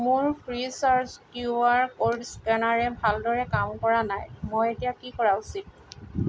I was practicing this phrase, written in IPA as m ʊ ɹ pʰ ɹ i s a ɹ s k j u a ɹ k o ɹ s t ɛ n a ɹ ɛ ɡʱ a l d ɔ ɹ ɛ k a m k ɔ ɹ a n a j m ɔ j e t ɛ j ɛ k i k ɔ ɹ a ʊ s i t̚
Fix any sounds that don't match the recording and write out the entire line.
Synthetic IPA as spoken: m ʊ ɹ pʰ ɹ i s a ɹ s k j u a ɹ k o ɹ s k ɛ n a ɹ ɛ bʱ a l d ɔ ɹ ɛ k a m k ɔ ɹ a n a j m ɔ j e t i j a k i k ɔ ɹ a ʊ s i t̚